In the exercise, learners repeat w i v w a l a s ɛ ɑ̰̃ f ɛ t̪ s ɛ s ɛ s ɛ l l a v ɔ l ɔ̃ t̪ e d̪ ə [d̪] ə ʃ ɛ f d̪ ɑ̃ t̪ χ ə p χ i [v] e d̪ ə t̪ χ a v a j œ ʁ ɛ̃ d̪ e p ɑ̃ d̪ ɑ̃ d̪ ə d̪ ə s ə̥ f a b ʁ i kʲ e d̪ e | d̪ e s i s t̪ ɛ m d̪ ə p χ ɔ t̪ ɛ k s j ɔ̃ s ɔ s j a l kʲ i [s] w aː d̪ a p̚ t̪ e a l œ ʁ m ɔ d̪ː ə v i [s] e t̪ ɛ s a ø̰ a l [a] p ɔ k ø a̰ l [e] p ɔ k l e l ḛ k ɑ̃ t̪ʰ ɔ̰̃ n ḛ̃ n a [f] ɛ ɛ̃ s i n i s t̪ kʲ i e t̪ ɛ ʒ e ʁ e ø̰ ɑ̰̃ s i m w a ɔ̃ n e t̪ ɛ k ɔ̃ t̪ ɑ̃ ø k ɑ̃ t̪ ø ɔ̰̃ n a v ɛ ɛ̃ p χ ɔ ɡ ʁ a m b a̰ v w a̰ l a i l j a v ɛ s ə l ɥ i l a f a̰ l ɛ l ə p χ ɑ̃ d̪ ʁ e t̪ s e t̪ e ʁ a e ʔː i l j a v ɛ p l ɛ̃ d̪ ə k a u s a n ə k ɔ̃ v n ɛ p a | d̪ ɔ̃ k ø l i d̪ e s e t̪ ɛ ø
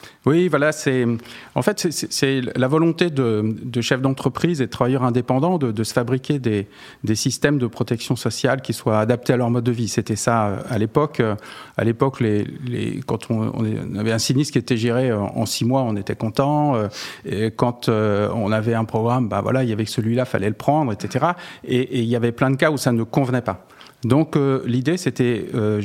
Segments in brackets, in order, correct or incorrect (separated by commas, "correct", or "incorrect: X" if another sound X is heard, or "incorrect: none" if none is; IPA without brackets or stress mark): correct, incorrect: z, correct, correct, incorrect: e, correct, incorrect: v